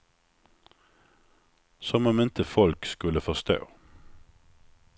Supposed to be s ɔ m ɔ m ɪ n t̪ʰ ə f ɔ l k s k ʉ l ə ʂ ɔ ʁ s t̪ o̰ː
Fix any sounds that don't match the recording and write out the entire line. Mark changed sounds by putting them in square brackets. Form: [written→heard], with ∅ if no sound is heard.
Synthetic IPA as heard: s ɔ m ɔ m ɪ n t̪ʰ ə f ɔ l k s k ʉ l ə [ʂ→f] ɔ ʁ s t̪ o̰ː